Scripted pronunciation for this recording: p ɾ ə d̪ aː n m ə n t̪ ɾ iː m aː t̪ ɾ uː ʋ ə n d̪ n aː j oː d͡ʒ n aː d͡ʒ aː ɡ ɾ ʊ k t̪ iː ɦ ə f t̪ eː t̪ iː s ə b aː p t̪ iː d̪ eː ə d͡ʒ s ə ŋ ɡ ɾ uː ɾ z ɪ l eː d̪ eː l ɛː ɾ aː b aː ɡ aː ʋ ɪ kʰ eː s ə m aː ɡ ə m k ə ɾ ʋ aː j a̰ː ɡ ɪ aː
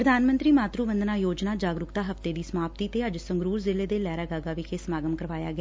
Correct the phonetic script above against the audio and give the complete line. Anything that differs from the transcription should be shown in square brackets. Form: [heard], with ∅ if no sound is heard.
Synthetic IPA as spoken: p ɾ ə d̪ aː n m ə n t̪ ɾ iː m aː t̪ ɾ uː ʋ ə n d̪ n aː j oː d͡ʒ n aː d͡ʒ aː ɡ ɾ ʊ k t̪ [aː] ɦ ə f t̪ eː [d̪] iː s ə [m] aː p t̪ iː [t̪] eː ə d͡ʒ s ə ŋ ɡ ɾ uː ɾ z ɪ l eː d̪ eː l ɛː ɾ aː [ɡ] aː ɡ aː ʋ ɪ kʰ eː s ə m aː ɡ ə m k ə ɾ ʋ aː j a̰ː ɡ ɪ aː